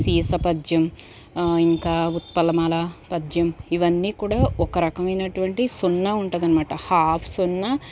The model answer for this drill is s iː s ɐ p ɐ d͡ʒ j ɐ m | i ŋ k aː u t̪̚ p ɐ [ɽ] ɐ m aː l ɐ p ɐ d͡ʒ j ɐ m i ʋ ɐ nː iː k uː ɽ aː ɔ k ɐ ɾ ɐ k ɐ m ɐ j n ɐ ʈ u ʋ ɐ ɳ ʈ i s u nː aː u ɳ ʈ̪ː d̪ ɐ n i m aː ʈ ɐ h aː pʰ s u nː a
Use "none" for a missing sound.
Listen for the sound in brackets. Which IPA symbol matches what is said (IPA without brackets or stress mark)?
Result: l